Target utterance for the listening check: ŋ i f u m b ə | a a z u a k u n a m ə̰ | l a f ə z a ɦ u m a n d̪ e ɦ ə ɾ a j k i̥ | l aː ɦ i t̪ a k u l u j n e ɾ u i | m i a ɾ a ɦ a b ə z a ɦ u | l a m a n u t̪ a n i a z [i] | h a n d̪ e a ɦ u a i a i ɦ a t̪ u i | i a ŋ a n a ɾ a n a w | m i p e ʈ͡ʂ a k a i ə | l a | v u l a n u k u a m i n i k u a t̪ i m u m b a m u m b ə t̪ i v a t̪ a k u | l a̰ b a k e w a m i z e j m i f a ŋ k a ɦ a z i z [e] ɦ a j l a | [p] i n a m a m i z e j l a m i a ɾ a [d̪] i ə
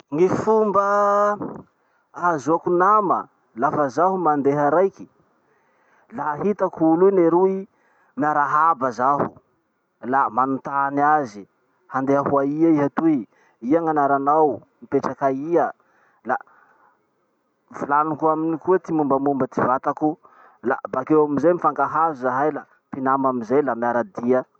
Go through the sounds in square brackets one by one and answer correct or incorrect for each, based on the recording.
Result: correct, incorrect: a, correct, correct

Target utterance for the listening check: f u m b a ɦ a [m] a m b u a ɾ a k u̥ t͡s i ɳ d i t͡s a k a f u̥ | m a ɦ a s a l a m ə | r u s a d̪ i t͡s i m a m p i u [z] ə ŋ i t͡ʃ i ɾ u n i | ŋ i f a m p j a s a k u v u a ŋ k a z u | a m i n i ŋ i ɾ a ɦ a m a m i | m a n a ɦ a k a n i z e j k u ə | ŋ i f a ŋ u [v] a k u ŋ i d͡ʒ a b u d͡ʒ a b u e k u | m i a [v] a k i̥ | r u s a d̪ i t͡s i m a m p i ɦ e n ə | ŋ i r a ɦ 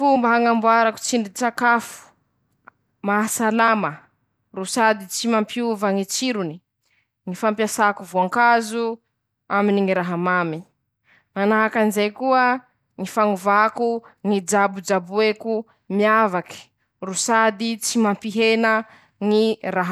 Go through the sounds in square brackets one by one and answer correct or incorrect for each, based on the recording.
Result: incorrect: ŋ, incorrect: v, correct, correct

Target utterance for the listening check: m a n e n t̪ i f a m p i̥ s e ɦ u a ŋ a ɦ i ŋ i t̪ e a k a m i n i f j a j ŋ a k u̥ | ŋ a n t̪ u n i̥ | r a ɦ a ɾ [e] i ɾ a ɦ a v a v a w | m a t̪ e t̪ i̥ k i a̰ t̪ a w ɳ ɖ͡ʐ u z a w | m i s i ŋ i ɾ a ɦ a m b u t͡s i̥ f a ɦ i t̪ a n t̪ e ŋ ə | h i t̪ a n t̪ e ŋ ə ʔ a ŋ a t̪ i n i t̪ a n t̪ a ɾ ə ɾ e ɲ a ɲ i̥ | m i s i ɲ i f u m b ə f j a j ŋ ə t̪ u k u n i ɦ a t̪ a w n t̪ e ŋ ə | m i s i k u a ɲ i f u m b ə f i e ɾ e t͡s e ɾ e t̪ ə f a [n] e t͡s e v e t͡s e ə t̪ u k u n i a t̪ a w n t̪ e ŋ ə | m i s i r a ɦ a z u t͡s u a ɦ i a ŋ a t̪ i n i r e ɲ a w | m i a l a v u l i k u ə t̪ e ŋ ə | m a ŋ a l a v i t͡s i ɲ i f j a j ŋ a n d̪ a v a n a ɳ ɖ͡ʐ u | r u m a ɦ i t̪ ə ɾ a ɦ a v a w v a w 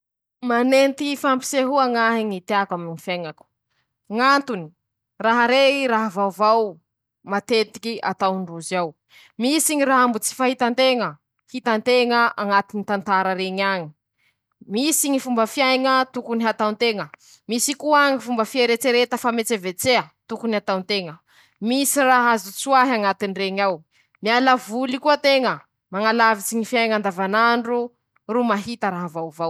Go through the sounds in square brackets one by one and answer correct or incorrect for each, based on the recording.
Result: correct, incorrect: m

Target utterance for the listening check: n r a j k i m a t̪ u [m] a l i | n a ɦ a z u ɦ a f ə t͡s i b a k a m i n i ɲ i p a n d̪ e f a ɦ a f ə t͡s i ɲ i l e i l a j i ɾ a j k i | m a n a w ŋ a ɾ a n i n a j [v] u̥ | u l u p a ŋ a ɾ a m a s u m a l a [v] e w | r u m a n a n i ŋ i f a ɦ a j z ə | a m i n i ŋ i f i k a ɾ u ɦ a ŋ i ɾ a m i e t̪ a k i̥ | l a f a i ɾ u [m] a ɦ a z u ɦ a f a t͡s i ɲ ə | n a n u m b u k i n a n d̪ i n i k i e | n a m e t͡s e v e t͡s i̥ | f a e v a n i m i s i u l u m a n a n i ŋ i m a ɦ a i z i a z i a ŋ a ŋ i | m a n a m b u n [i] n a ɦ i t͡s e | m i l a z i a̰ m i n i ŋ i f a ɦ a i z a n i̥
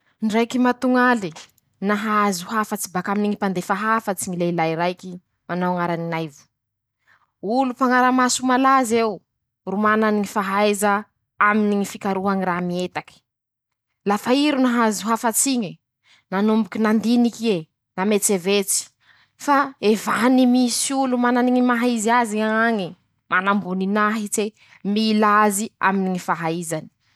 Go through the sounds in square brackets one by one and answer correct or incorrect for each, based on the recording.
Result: incorrect: ŋ, correct, incorrect: z, incorrect: n, correct

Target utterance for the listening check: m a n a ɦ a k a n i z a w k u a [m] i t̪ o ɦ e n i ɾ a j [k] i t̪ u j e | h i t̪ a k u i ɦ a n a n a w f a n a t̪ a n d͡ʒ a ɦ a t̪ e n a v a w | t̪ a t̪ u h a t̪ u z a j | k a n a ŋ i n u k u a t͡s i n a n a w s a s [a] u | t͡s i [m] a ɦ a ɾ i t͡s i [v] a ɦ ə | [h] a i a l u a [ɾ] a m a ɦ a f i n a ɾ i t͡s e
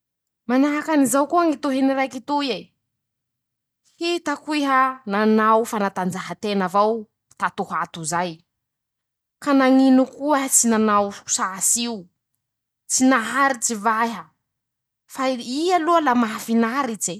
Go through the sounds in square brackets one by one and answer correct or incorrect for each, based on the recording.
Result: incorrect: ŋ, correct, incorrect: i, incorrect: n, correct, incorrect: f, incorrect: l

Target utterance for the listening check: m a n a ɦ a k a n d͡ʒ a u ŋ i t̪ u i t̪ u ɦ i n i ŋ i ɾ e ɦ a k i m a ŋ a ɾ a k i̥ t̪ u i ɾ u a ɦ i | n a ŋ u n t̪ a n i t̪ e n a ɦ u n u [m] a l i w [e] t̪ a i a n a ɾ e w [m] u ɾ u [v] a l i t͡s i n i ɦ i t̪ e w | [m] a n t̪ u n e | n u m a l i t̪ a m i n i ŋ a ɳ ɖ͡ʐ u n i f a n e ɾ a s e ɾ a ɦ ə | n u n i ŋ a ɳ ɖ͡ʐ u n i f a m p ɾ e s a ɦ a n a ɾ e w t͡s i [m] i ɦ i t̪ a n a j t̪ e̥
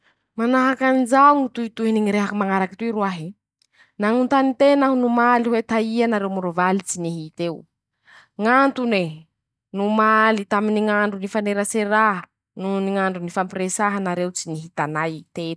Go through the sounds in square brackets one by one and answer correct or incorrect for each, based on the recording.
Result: correct, correct, correct, correct, incorrect: ŋ, incorrect: n

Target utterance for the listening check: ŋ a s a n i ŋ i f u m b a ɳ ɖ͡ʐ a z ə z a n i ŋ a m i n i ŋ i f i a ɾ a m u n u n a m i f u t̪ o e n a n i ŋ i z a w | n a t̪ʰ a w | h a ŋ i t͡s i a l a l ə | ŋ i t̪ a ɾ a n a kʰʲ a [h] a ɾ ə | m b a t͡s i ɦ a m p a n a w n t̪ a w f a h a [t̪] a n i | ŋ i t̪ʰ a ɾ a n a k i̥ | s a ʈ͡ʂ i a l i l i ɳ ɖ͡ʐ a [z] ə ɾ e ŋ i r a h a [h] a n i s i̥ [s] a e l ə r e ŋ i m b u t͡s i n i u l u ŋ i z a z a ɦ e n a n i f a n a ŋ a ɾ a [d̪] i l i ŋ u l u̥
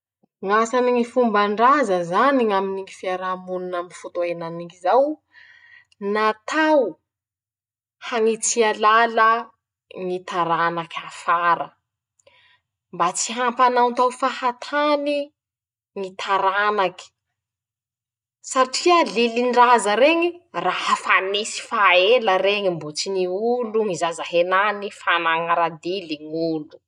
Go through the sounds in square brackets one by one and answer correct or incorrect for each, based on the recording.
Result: incorrect: f, incorrect: t̪ʰ, correct, incorrect: f, incorrect: f, correct

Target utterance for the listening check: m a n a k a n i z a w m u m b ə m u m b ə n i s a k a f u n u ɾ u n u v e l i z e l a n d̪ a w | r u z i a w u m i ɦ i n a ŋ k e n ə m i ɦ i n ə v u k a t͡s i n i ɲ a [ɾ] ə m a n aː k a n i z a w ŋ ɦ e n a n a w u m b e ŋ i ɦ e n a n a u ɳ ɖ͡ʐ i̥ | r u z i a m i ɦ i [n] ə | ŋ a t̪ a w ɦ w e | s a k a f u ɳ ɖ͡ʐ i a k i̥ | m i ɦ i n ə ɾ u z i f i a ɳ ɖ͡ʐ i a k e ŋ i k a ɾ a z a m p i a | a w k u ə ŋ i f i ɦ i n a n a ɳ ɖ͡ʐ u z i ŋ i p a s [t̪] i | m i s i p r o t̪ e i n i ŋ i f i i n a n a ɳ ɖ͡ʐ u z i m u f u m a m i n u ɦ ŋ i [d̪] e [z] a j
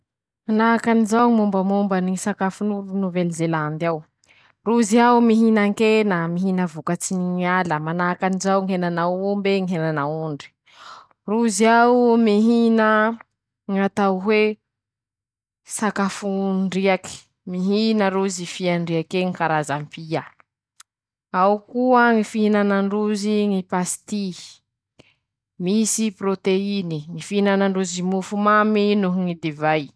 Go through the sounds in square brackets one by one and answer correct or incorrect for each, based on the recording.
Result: incorrect: l, correct, correct, correct, incorrect: v

